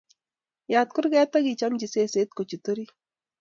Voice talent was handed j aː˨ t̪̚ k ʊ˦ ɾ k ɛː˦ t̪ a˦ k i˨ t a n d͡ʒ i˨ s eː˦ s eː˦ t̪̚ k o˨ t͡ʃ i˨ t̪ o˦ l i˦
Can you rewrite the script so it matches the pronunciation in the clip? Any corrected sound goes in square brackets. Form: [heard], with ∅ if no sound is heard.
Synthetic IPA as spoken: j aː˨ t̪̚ k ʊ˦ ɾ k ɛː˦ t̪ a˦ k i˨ [t͡ʃ] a [m] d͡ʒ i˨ s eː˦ s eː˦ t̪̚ k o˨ t͡ʃ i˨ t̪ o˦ [ɾ] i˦